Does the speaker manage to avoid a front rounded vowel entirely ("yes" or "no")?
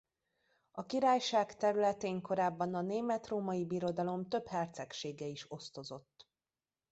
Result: no